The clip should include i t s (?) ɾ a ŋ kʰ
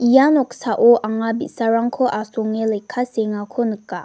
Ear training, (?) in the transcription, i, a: a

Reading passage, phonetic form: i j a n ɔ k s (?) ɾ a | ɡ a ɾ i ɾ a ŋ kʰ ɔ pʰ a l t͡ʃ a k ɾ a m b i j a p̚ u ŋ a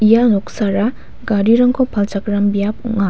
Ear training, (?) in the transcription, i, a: a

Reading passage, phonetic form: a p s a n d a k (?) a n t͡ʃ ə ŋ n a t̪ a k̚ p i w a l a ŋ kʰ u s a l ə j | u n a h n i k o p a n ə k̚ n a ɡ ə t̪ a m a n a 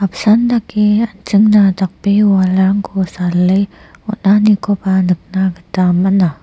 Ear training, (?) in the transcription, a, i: i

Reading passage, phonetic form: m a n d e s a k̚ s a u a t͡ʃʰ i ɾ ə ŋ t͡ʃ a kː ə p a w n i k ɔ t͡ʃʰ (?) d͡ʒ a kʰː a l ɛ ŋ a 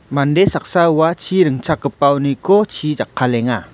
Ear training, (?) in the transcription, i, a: i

